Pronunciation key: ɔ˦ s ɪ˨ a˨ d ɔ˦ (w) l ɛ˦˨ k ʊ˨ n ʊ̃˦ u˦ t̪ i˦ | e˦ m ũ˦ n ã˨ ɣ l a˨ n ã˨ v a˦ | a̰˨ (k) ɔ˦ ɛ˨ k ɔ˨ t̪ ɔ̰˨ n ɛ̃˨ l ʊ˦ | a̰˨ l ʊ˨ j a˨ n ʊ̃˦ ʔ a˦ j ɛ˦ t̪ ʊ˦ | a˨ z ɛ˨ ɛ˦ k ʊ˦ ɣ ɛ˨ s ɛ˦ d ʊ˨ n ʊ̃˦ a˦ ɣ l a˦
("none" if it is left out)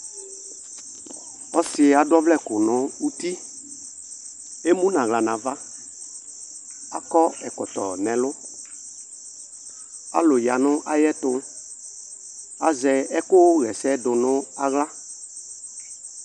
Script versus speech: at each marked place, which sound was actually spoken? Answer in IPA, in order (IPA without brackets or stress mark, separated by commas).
v, k